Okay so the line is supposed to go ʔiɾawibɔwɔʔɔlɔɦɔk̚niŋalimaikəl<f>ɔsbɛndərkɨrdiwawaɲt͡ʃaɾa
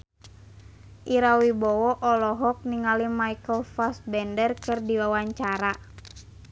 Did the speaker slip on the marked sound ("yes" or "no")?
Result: no